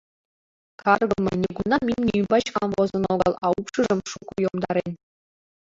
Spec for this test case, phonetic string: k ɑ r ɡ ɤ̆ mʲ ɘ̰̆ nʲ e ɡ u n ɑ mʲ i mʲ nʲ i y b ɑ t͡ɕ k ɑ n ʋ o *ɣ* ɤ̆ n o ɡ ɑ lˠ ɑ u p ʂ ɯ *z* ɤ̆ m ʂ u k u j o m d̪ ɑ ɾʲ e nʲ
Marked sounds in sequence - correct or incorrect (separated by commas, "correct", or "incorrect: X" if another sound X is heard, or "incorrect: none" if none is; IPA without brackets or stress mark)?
incorrect: z, incorrect: ʐ